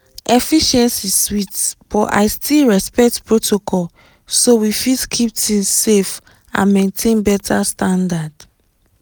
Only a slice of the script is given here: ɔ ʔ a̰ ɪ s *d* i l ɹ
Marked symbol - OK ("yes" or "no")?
no